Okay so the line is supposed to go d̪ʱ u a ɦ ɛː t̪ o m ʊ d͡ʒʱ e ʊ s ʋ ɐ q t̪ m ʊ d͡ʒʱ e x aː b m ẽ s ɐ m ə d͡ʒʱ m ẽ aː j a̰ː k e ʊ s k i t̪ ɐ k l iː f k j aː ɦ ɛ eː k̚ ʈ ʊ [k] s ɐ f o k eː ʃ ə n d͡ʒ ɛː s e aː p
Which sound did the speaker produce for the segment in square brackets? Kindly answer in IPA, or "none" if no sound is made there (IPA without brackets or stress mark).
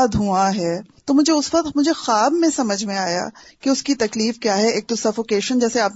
none